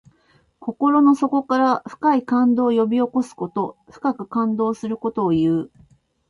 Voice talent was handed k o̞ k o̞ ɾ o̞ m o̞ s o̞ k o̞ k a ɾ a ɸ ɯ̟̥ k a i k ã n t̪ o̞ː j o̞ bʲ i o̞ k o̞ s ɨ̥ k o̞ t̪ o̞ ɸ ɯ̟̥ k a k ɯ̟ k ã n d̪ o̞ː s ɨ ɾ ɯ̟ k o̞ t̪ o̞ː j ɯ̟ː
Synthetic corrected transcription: k o̞ k o̞ ɾ o̞ n o̞ s o̞ k o̞ k a ɾ a ɸ ɯ̟̥ k a i k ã n d̪ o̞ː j o̞ bʲ i o̞ k o̞ s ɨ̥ k o̞ t̪ o̞ ɸ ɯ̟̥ k a k ɯ̟ k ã n d̪ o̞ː s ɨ ɾ ɯ̟ k o̞ t̪ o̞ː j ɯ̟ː